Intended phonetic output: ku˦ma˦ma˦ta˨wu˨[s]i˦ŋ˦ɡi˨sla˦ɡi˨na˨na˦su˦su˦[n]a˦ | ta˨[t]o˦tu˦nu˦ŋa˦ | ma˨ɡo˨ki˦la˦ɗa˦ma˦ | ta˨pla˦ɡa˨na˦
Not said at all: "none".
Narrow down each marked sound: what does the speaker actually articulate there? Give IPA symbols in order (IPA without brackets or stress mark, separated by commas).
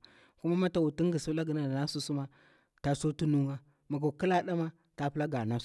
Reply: t, m, s